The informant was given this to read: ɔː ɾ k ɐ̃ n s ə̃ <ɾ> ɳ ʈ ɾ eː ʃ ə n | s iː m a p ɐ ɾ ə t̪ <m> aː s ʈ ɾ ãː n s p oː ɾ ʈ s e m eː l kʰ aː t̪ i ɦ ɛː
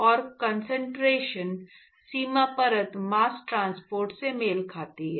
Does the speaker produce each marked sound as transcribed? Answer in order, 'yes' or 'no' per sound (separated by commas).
no, yes